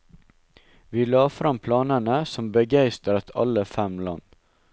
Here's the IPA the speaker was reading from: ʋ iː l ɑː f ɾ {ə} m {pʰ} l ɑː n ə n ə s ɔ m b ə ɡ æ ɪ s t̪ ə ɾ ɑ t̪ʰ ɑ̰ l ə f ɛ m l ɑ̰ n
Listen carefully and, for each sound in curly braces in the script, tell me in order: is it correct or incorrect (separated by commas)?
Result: incorrect, correct